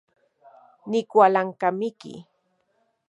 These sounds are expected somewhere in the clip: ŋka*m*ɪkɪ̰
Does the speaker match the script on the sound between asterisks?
yes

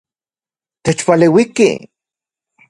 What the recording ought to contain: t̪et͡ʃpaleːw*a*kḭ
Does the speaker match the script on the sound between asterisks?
no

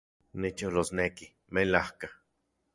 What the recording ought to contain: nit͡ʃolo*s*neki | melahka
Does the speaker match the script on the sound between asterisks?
yes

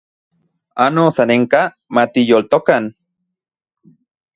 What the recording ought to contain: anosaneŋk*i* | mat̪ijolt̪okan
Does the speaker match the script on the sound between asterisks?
no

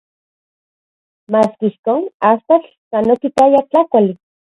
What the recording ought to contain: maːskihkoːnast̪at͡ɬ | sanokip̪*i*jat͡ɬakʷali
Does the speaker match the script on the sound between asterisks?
no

